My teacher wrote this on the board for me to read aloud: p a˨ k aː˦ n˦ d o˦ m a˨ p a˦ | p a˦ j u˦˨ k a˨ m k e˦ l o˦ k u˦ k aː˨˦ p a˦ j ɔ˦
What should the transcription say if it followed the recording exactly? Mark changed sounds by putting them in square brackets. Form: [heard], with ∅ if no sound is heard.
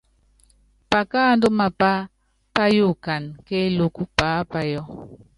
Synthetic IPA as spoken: p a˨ k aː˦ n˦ d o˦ m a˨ p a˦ | p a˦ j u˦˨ k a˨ [n] k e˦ l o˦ k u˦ [p] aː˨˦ p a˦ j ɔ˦